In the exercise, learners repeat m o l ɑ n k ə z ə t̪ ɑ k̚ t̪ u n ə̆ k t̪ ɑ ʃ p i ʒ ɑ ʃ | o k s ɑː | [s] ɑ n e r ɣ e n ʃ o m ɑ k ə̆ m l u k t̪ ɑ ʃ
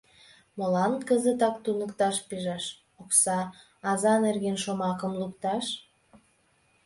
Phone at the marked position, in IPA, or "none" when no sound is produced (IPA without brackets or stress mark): z